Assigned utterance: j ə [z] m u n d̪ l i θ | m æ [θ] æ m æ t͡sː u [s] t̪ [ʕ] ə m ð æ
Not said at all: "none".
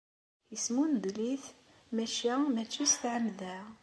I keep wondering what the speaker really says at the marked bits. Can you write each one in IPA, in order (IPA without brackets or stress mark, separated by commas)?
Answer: s, ʃ, s, ʕ